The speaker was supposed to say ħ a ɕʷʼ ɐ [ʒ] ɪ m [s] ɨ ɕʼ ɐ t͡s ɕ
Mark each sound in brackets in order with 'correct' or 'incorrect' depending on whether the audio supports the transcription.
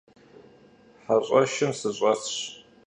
incorrect: ʃ, correct

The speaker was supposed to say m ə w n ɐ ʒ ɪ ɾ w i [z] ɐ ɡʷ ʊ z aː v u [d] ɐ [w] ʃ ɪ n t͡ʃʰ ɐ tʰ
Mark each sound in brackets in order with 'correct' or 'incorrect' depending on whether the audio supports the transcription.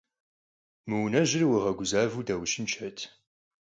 incorrect: ʁ, correct, correct

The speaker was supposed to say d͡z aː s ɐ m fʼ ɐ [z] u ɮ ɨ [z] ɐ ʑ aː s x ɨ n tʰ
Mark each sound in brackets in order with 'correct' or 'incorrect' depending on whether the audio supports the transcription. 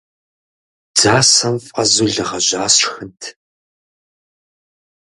correct, incorrect: ʁ

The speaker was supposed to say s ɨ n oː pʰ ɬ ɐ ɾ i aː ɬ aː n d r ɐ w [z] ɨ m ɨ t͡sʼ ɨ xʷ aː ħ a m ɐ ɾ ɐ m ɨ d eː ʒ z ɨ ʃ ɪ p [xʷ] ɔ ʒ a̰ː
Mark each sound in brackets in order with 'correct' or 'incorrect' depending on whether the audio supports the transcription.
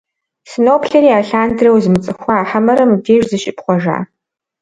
correct, incorrect: χʷ

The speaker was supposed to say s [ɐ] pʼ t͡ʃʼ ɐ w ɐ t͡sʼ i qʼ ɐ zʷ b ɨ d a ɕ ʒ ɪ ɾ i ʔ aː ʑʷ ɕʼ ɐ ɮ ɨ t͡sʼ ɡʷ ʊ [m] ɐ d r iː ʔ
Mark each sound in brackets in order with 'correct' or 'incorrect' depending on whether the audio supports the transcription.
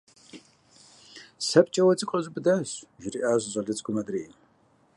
correct, correct

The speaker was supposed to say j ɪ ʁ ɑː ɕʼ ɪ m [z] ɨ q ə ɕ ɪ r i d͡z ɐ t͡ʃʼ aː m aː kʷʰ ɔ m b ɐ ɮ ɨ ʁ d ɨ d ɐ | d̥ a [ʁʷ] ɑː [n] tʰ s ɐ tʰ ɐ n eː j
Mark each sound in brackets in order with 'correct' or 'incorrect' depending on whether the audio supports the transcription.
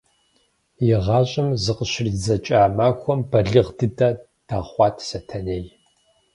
correct, incorrect: χʷ, incorrect: none

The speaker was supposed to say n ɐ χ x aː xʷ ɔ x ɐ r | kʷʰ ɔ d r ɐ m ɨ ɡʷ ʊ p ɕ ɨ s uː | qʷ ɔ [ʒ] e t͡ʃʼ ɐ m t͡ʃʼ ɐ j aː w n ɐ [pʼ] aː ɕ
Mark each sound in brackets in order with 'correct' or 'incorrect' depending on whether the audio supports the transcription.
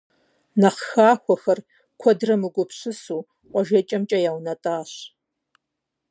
correct, incorrect: tʼ

